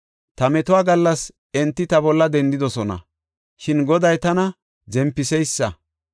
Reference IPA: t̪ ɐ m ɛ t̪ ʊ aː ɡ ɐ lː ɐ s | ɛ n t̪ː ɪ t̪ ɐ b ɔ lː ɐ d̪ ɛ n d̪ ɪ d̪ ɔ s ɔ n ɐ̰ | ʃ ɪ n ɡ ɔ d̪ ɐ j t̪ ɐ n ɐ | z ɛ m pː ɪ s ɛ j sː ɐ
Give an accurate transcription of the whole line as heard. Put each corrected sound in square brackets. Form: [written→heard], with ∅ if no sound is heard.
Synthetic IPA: t̪ ɐ m ɛ t̪ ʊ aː ɡ ɐ lː ɐ s | ɛ n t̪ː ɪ t̪ ɐ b ɔ lː ɐ d̪ ɛ n d̪ ɪ d̪ ɔ s ɔ n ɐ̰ | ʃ ɪ n ɡ ɔ d̪ ɐ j t̪ ɐ n ɐ | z ɛ m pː ɪ s ɛ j sː ɐ